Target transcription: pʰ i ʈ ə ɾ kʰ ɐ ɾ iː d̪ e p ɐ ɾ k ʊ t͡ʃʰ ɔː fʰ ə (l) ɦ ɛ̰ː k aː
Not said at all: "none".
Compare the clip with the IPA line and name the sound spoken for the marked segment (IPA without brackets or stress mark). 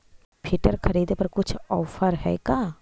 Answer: ɾ